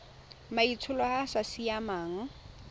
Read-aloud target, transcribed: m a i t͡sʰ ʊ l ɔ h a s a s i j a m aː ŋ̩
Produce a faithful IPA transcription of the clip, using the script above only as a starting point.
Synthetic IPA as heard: m a i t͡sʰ ʊ l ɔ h a s a s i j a m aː ŋ̩